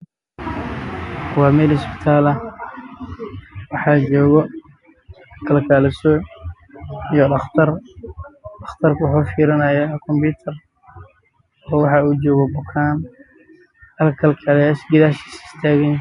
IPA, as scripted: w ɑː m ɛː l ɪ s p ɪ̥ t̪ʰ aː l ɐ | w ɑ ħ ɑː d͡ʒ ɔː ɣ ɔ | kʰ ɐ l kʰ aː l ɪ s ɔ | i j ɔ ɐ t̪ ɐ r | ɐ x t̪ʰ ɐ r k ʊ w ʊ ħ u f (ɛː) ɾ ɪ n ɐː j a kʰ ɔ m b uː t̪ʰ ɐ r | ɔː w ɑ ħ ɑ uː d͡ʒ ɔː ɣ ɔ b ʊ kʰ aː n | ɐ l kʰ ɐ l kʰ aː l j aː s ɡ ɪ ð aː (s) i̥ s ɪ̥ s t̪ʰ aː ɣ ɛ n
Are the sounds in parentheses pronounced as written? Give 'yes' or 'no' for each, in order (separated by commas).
no, no